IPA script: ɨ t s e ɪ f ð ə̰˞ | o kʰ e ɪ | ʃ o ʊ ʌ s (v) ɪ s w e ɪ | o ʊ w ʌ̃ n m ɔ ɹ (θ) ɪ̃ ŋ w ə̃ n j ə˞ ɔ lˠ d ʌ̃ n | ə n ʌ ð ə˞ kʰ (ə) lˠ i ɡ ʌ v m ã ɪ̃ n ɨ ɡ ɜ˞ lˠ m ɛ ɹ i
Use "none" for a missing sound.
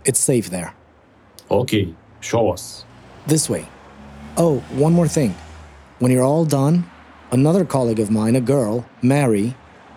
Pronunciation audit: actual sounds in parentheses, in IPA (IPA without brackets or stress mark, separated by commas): ð, θ, ɑ